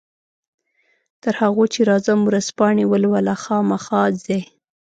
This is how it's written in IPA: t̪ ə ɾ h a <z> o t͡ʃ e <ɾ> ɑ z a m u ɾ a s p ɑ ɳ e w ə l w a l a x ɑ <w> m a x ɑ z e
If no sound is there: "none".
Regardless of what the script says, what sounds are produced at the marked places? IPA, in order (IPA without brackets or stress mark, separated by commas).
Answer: ɣ, ɾ, none